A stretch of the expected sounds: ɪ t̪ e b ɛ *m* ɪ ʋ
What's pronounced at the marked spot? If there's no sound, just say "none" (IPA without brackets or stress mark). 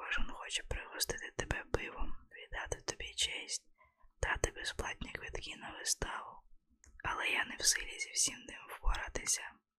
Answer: b